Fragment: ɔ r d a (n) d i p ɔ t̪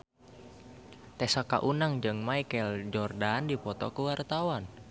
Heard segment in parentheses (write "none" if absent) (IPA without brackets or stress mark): n